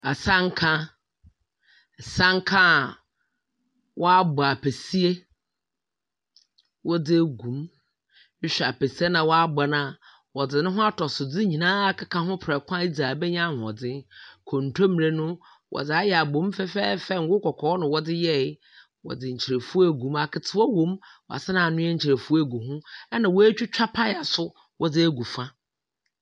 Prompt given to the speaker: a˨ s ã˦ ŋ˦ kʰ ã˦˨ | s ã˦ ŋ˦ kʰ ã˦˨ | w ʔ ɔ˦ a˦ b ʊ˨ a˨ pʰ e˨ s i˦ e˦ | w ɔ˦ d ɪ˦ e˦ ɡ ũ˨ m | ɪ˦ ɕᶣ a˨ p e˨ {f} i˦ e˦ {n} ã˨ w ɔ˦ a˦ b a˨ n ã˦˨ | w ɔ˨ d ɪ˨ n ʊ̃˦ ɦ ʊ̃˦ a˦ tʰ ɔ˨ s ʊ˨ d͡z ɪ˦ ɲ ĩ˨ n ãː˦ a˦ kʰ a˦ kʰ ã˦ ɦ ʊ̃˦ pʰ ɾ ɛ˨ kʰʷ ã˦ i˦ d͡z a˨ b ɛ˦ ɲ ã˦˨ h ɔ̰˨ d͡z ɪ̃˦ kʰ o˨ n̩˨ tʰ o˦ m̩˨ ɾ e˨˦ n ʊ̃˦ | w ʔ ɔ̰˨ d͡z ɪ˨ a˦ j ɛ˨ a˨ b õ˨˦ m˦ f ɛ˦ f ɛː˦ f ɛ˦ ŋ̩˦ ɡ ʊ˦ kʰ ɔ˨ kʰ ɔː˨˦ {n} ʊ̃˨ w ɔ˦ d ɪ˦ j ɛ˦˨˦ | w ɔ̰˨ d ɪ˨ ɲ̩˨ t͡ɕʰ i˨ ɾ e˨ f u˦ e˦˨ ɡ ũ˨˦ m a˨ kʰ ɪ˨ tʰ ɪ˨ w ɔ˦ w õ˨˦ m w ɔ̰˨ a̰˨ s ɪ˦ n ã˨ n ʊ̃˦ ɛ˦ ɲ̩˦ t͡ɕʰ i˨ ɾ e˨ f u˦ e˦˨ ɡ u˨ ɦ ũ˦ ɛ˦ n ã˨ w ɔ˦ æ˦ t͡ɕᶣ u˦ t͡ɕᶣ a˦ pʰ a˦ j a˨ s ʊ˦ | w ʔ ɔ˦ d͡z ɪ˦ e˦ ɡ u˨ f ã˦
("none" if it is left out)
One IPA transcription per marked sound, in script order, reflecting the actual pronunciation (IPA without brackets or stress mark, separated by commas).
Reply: s, n, n